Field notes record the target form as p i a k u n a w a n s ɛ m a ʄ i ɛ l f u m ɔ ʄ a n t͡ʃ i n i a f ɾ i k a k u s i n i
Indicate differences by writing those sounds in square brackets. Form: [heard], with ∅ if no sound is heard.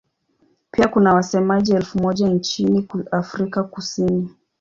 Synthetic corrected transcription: p i a k u n a w a [∅] s ɛ m a ʄ i ɛ l f u m ɔ ʄ a n t͡ʃ i n i a f ɾ i k a k u s i n i

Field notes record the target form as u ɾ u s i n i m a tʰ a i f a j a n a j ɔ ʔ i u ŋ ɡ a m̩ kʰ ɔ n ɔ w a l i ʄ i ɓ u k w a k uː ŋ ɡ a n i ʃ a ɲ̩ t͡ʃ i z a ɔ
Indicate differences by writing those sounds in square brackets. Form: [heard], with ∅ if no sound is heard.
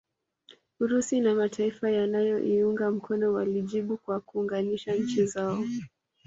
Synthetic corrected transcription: u ɾ u s i n [a] m a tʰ a i f a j a n a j ɔ ʔ i u ŋ ɡ a m̩ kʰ ɔ n ɔ w a l i ʄ i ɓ u k w a k uː ŋ ɡ a n i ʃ a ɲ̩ t͡ʃ i z a ɔ

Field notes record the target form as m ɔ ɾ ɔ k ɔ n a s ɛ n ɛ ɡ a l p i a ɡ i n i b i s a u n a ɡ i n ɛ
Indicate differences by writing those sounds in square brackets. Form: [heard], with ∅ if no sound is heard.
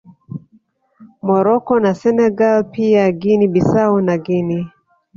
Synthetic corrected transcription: m ɔ ɾ ɔ k ɔ n a s ɛ n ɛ ɡ a l p i a ɡ i n i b i s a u n a ɡ i n [i]

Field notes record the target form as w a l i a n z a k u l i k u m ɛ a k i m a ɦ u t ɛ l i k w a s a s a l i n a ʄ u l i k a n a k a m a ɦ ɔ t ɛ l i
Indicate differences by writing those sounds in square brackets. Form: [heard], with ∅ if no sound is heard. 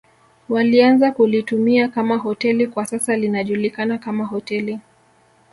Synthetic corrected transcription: w a l i a n z a k u l i [t] u m [i] a k [a] m a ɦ [ɔ] t ɛ l i k w a s a s a l i n a ʄ u l i k a n a k a m a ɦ ɔ t ɛ l i

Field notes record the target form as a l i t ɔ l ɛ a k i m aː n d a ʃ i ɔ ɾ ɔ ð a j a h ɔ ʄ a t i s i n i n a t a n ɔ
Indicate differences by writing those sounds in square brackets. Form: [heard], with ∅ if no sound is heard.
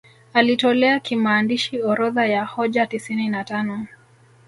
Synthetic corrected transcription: a l i t ɔ l ɛ a k i m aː n d [i] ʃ i ɔ ɾ ɔ ð a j a h ɔ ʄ a t i s i n i n a t a n ɔ

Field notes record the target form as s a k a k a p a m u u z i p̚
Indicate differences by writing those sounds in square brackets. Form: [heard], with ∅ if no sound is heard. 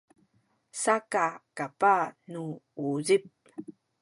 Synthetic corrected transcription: s a k a k a p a [n] u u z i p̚

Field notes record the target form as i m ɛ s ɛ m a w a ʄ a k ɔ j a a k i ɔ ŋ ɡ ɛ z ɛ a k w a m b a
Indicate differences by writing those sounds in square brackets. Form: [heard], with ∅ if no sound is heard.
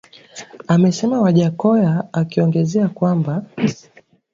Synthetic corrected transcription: [a] m ɛ s ɛ m a w a ʄ a k ɔ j a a k i ɔ ŋ ɡ ɛ z ɛ a k w a m b a

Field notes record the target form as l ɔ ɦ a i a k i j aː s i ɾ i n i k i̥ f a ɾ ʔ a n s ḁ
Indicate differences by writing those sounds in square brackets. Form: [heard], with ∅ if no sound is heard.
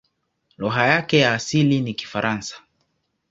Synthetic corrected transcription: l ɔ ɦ a [j] a k [ɛ] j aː s i [l] i n i k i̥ f a ɾ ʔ a n s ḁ

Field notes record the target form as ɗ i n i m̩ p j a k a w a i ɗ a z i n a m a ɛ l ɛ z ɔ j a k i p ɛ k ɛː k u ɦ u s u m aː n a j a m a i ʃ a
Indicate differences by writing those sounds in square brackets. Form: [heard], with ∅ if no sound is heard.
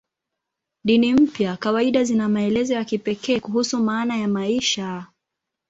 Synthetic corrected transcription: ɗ i n i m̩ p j a k a w a i ɗ a z i n a m a ɛ l ɛ z ɔ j a k i p ɛ k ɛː k u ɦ u s u m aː n a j a m a i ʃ a

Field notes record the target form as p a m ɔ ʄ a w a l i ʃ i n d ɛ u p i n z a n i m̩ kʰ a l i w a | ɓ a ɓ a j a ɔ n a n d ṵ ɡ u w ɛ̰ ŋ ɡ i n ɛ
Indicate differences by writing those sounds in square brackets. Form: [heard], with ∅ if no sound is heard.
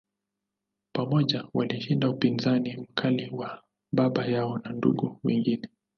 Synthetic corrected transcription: p a m ɔ ʄ a w a l i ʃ i n d [a] u p i n z a n i m̩ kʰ a l i w a | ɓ a ɓ a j a ɔ n a n d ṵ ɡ u w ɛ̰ ŋ ɡ i n ɛ

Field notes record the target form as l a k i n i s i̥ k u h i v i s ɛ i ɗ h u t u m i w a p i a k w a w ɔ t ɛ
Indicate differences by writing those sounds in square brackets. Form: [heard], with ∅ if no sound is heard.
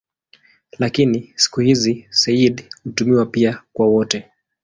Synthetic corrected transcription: l a k i n i s i̥ k u h i [z] i s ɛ i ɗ h u t u m i w a p i a k w a w ɔ t ɛ

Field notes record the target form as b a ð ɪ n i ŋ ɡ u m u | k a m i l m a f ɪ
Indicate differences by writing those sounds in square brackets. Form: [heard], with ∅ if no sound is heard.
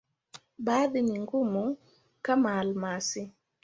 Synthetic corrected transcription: b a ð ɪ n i ŋ ɡ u m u | k a m [a] l m a [s] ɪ

